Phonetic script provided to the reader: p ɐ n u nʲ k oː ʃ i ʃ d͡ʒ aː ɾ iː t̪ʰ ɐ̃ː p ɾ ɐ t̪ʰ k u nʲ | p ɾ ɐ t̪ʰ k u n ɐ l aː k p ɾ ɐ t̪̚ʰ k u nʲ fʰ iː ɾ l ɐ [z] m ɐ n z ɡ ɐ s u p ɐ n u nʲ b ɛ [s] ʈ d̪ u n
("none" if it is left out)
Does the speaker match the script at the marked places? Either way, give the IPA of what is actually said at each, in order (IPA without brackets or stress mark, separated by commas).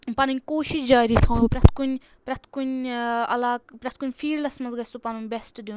s, s